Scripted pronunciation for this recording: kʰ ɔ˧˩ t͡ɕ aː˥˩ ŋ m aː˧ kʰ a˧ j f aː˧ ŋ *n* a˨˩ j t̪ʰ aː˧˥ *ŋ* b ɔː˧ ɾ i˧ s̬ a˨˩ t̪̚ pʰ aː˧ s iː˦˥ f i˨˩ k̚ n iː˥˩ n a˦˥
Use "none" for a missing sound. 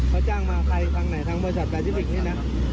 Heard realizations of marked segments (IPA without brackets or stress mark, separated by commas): n, ŋ